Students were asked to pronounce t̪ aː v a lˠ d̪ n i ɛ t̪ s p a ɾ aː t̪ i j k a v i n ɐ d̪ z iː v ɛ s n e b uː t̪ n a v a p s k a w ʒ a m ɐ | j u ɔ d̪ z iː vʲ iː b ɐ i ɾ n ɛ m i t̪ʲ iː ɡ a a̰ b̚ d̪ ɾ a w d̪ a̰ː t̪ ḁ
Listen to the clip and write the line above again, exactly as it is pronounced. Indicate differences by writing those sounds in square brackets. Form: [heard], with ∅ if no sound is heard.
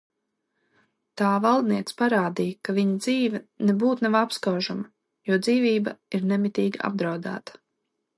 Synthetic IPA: t̪ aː v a lˠ d̪ n i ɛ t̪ s p a ɾ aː [d̪] i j k a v i [ɲ] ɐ d̪ z iː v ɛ [∅] n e b uː t̪ n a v a p s k a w ʒ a m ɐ | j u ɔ d̪ z iː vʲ iː b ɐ i ɾ n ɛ m i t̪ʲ iː ɡ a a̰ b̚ d̪ ɾ a w d̪ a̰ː t̪ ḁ